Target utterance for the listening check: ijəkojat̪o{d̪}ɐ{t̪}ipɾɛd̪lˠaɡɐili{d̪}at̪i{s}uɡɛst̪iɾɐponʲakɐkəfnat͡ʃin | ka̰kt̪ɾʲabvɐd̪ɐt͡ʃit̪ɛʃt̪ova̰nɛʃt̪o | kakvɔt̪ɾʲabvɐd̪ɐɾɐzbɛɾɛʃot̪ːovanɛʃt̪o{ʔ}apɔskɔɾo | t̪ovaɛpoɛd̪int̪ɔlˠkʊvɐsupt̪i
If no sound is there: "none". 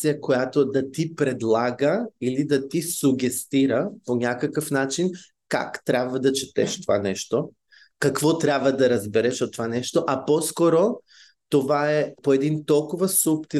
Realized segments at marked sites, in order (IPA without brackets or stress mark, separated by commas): d̪, t̪, d̪, s, ʔ